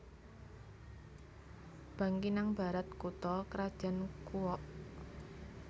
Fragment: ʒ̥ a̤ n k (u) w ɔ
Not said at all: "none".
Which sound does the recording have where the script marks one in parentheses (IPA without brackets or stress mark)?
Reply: u